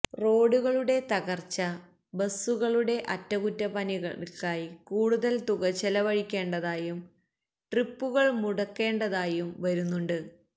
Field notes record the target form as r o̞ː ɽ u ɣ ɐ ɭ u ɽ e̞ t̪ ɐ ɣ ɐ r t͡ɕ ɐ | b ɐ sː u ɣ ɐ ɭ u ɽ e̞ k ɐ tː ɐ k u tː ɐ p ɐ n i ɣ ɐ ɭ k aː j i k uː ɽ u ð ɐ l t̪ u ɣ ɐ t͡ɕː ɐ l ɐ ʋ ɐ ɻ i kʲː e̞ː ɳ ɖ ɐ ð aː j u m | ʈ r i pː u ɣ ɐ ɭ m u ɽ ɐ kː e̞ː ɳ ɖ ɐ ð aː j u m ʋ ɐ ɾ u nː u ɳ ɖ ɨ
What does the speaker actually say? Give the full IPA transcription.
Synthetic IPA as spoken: r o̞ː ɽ u ɣ ɐ ɭ u ɽ e̞ t̪ ɐ ɣ ɐ r t͡ɕ ɐ | b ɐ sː u ɣ ɐ ɭ u ɽ e̞ ʔ ɐ tː ɐ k u tː ɐ p ɐ n i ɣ ɐ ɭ k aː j i k uː ɽ u ð ɐ l t̪ u ɣ ɐ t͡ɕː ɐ l ɐ ʋ ɐ ɻ i kʲː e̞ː ɳ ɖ ɐ ð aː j u m | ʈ r i pː u ɣ ɐ ɭ m u ɽ ɐ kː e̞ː ɳ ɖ ɐ ð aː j u m ʋ ɐ ɾ u nː u ɳ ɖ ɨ